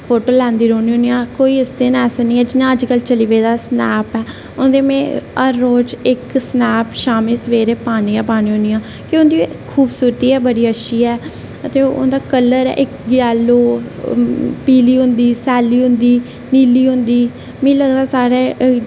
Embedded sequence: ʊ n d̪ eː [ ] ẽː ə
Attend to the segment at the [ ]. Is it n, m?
m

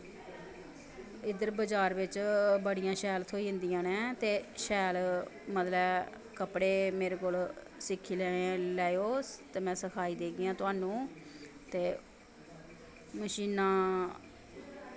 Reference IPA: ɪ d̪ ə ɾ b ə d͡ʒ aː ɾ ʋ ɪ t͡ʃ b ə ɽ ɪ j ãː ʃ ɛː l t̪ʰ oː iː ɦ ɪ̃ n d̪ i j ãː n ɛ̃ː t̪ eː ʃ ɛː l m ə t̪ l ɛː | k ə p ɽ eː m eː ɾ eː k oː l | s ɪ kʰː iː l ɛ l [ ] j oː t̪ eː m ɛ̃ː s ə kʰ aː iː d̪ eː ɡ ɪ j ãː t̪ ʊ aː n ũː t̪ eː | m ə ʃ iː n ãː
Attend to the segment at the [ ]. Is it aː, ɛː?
ɛː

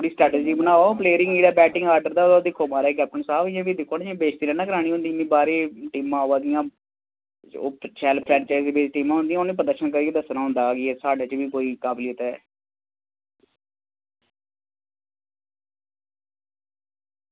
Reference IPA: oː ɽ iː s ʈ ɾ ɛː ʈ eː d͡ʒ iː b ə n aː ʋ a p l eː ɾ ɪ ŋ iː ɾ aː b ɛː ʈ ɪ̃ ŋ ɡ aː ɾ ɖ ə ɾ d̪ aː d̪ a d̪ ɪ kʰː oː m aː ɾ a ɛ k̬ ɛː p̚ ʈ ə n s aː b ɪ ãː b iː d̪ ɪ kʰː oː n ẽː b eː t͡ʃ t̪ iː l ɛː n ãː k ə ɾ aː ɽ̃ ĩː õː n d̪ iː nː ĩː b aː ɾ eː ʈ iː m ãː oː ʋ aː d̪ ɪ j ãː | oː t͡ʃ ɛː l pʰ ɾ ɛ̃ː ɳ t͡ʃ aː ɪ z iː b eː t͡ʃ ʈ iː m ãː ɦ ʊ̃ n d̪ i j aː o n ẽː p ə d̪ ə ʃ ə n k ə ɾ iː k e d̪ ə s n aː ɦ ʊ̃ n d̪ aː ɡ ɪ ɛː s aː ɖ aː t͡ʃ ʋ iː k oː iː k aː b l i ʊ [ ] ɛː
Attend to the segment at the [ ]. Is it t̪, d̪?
t̪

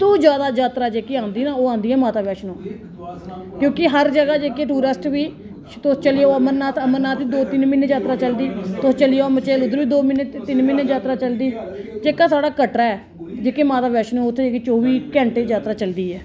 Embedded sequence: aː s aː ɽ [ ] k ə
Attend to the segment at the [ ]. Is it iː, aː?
aː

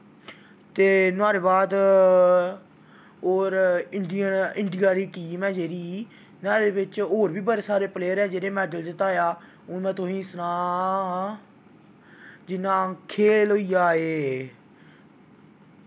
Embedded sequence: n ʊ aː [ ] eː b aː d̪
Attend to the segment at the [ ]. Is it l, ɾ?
ɾ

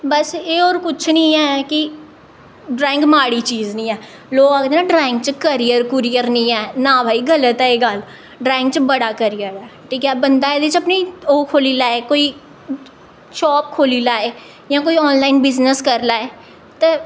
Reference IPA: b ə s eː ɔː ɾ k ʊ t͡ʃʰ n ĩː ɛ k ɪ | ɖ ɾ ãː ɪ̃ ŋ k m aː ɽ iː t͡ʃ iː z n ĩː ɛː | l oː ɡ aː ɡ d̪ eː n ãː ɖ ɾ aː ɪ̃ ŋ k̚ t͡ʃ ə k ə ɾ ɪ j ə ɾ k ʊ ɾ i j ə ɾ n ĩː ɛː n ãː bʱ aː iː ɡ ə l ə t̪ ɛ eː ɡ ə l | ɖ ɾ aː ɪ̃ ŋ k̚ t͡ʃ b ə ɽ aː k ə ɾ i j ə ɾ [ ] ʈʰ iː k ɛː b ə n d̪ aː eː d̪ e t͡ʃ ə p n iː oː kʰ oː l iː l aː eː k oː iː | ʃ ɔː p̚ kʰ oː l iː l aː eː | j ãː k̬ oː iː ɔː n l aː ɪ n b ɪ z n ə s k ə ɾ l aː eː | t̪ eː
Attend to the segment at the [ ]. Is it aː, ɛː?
ɛː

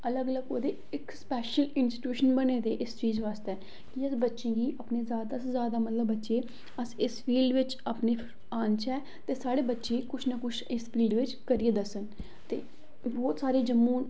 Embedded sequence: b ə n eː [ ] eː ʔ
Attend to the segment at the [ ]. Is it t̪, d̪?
d̪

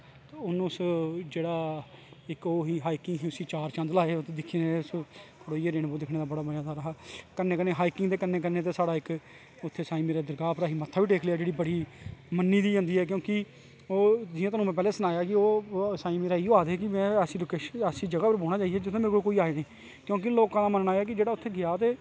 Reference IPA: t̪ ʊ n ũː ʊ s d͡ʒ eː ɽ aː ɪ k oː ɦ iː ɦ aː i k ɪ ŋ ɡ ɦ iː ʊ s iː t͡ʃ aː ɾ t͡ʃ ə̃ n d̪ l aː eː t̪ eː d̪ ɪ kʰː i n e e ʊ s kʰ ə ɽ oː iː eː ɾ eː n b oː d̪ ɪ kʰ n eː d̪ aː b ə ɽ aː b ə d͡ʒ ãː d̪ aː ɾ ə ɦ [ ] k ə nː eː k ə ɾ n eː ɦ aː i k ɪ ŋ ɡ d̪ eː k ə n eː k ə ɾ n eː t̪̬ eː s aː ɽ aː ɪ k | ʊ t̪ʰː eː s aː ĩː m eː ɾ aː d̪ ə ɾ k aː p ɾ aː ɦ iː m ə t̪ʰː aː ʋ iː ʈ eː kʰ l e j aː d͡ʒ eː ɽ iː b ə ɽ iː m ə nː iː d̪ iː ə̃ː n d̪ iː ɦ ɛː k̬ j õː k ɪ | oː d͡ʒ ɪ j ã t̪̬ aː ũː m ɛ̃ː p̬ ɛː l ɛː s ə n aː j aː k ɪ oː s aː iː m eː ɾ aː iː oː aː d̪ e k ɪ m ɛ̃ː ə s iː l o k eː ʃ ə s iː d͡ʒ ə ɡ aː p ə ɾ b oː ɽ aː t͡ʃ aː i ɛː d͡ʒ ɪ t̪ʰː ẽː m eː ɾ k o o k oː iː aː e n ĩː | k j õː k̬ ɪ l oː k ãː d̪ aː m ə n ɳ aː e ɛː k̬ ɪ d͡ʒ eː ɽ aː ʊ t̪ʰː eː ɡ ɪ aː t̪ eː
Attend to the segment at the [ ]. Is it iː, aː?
aː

